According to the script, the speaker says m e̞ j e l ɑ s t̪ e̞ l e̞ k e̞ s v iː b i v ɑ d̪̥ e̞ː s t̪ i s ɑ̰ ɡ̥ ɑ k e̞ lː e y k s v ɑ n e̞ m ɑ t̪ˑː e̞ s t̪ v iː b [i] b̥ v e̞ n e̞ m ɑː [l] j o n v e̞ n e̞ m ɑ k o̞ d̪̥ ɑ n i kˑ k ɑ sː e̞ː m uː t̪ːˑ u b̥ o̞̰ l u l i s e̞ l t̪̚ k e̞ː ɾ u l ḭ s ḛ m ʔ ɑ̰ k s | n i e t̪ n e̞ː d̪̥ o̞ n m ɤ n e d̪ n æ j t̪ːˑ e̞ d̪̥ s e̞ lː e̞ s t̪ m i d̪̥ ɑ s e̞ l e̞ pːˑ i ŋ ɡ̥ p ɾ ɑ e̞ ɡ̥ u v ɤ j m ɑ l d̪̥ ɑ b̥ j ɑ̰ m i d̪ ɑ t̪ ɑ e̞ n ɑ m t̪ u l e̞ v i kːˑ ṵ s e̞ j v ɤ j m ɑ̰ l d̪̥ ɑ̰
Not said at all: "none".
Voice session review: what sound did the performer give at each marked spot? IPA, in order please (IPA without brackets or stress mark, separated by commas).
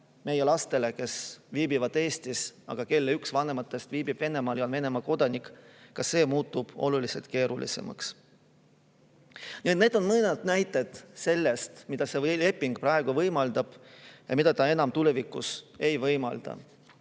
i, l